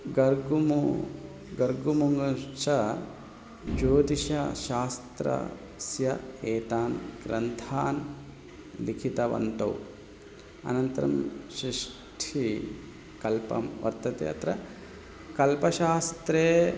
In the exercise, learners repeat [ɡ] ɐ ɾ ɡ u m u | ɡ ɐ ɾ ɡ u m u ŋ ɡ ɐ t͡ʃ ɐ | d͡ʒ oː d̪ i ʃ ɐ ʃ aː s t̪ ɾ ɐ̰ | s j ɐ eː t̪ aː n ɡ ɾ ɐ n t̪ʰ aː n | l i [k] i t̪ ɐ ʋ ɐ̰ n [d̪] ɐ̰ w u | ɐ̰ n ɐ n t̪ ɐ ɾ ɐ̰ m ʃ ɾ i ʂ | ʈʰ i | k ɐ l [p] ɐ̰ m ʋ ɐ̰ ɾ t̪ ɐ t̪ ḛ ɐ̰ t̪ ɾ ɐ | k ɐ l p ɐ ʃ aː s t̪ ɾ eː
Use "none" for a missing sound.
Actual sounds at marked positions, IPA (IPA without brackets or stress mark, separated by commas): ɡ, kʰ, t̪, p